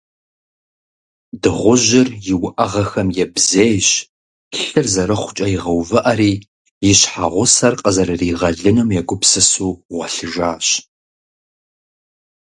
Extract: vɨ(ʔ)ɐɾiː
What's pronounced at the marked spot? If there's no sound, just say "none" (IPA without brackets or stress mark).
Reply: ʔ